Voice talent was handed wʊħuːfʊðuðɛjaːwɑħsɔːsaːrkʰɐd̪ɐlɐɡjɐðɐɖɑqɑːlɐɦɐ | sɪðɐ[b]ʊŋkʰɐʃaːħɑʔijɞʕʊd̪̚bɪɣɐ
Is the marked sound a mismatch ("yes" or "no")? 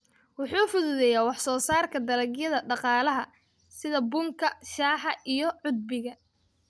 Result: no